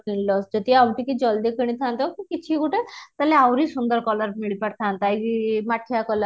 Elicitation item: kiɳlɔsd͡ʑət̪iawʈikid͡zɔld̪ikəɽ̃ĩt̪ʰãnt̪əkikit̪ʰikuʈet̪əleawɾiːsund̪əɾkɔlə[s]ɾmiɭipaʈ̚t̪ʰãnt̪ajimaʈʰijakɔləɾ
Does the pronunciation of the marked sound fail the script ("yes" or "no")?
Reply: yes